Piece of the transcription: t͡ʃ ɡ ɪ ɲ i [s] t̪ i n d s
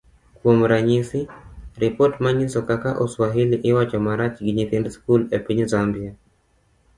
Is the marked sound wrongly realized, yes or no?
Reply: yes